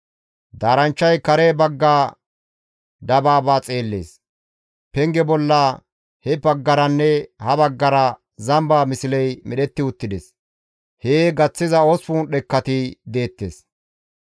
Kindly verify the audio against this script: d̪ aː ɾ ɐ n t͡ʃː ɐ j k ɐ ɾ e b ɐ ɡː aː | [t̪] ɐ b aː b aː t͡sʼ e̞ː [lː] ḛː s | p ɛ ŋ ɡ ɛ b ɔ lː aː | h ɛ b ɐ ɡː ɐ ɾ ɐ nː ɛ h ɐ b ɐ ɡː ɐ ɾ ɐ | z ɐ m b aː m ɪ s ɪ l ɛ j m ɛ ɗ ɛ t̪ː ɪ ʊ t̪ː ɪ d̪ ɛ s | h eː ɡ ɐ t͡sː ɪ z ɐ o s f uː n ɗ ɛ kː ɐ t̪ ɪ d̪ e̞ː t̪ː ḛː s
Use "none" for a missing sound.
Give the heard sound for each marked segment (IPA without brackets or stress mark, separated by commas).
d̪, lː